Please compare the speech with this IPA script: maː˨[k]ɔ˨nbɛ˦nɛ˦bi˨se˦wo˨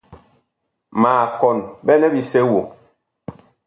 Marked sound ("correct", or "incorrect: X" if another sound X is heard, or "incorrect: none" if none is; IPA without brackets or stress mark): correct